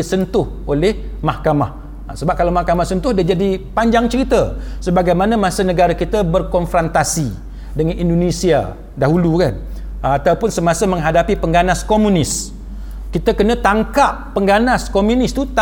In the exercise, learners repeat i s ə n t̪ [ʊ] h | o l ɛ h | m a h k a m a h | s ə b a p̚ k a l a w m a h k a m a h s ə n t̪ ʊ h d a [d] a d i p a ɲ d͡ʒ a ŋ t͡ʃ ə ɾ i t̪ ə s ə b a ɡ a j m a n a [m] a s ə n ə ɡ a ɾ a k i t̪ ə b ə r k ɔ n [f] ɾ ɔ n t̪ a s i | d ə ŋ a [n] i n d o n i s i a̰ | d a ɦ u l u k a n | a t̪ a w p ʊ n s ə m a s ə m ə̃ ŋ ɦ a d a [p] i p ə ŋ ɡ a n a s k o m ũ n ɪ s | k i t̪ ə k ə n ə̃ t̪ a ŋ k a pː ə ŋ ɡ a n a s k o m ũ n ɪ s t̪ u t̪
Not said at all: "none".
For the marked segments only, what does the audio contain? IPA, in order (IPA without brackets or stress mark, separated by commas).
ʊ, d͡ʒ, m, f, n, p